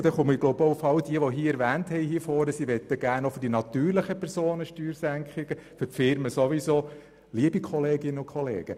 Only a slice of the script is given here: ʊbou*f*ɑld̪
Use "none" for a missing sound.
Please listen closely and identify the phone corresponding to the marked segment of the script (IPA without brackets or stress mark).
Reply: f